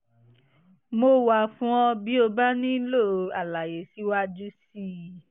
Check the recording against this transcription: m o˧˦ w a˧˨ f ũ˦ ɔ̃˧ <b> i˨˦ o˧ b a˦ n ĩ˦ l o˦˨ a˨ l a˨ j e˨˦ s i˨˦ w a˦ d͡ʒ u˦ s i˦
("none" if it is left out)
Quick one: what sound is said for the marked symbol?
b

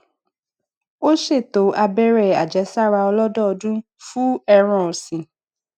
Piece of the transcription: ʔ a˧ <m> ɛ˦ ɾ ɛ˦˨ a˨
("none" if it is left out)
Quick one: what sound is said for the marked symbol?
b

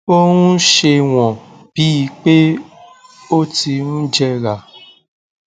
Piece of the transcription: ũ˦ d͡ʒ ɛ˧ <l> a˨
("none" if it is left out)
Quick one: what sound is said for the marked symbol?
ɾ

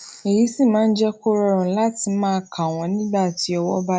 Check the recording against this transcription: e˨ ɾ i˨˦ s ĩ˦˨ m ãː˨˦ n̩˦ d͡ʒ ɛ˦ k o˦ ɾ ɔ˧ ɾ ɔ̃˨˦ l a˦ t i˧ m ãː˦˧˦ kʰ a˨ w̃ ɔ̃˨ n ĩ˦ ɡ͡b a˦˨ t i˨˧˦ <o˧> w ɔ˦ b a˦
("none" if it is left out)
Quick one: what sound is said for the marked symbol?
ɔ˧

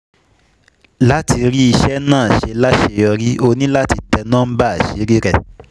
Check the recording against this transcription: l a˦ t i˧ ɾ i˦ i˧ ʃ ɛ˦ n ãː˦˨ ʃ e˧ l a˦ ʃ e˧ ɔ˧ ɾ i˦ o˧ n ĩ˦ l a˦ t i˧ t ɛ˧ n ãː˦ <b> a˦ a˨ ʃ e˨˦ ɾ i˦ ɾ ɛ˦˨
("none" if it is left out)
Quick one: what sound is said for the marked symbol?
b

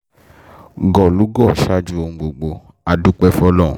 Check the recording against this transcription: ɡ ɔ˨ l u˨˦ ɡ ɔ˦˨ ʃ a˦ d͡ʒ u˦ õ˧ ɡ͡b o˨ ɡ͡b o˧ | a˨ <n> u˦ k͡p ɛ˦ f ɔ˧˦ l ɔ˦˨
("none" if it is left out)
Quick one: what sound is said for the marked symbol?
d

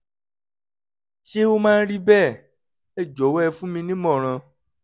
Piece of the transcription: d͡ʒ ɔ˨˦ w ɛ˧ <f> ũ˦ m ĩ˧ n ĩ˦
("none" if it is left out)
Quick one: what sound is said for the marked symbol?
f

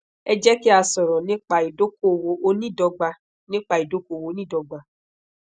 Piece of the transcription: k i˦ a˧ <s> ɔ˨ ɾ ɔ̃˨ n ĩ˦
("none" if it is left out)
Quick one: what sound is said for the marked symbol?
s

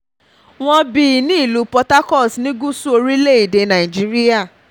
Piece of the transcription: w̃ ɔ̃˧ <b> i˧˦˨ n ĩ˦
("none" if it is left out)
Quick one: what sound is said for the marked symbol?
b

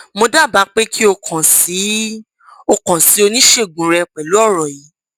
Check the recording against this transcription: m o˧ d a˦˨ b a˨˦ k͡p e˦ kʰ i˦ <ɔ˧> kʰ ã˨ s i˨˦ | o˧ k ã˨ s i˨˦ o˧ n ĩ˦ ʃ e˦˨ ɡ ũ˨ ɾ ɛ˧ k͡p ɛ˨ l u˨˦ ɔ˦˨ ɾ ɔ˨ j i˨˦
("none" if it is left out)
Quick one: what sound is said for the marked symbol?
o˧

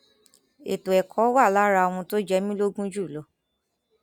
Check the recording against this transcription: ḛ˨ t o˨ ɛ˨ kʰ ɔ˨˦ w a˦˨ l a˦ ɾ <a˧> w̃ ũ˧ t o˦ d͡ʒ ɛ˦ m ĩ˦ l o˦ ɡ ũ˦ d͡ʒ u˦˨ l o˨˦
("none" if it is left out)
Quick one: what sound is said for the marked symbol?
a˧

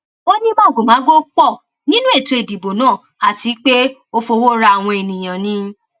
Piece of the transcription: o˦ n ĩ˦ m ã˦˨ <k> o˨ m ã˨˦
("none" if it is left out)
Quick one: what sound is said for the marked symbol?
ɡ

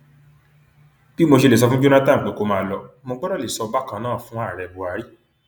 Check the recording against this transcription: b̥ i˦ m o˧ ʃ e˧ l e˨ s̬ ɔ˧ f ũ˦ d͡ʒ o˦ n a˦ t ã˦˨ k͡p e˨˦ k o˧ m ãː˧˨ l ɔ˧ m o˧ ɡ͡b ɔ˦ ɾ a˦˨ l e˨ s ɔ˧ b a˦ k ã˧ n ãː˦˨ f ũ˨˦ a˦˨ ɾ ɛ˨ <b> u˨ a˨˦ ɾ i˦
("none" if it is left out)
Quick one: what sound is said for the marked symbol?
b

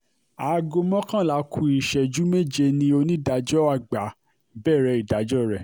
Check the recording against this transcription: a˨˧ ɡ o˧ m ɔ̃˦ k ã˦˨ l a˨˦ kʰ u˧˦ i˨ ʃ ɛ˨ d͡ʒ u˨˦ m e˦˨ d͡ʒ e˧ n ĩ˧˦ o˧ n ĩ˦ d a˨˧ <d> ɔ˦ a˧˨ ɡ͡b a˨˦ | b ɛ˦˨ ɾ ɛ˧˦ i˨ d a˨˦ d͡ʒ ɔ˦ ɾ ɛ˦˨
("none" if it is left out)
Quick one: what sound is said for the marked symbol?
d͡ʒ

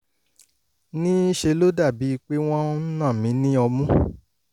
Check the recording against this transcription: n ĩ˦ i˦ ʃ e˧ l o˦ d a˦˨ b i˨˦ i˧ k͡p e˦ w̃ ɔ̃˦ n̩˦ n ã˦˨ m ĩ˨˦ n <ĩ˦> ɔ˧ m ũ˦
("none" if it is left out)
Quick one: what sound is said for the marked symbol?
ĩ˦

